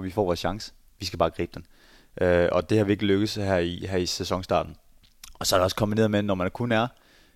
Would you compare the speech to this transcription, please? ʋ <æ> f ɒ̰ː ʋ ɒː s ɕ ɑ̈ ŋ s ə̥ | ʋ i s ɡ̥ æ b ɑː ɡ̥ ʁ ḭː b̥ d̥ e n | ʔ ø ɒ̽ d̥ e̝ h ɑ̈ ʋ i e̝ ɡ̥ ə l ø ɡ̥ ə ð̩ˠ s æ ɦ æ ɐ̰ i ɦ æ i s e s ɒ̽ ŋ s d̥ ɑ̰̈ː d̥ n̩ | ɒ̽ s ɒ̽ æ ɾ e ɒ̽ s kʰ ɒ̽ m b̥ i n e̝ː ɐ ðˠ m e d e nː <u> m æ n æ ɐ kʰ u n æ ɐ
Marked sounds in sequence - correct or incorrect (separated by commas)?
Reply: incorrect, incorrect